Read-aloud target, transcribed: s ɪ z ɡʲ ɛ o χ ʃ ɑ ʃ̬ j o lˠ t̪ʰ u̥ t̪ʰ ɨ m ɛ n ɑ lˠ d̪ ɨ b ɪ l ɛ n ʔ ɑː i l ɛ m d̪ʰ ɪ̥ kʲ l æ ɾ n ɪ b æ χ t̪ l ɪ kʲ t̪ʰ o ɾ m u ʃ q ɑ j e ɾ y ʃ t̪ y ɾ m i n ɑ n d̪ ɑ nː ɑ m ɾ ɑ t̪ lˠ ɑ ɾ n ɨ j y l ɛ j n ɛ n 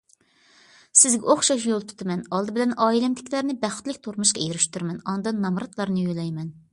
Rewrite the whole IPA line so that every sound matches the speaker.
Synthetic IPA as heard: s ɪ z ɡʲ ɛ o χ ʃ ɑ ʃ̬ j o lˠ t̪ʰ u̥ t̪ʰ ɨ m ɛ n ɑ lˠ d̪ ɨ b ɪ l ɛ n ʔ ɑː i l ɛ m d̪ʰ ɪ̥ kʲ l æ ɾ n ɪ b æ χ t̪ l ɪ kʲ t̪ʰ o ɾ m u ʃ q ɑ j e ɾ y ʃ t̪ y ɾ m ɛ n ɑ n d̪ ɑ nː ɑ m ɾ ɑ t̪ lˠ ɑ ɾ n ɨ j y l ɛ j m ɛ n